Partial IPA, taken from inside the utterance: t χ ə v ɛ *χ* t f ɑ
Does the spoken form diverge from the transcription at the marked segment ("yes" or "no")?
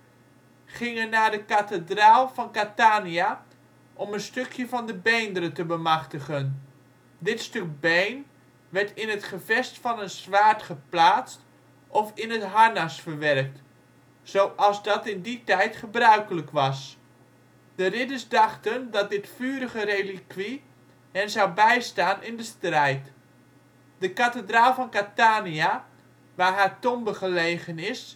yes